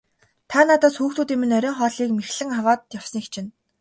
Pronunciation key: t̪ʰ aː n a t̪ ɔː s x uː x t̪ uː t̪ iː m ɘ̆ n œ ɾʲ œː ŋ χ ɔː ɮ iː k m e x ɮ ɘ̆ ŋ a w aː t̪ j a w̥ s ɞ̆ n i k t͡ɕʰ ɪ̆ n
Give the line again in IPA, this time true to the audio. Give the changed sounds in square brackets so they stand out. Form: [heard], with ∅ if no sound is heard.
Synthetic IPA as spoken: t̪ʰ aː n a t̪ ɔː s x uː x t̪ uː t̪ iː m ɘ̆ n œ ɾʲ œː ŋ χ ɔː ɮ iː k m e x ɮ ɘ̆ ŋ a w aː t̪ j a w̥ s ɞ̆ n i k t͡ɕʰ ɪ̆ n